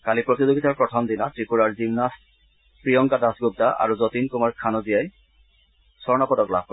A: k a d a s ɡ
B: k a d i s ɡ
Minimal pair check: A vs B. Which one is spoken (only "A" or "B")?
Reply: A